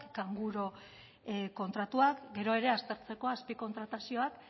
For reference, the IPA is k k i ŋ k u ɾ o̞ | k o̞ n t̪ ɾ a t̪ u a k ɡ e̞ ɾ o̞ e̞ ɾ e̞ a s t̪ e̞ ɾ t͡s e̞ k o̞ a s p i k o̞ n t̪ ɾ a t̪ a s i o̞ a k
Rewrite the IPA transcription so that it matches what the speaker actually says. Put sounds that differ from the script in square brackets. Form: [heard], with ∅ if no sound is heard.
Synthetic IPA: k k [a] ŋ [ɡ] u ɾ o̞ | k o̞ n t̪ ɾ a t̪ u a k ɡ e̞ ɾ o̞ e̞ ɾ e̞ a s t̪ e̞ ɾ t͡s e̞ k o̞ a s p i k o̞ n t̪ ɾ a t̪ a s i o̞ a k